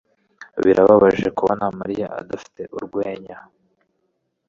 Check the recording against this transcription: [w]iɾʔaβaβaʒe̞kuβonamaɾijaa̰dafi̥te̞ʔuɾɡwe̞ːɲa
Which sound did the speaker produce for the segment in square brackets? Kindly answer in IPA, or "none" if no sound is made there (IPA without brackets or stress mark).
β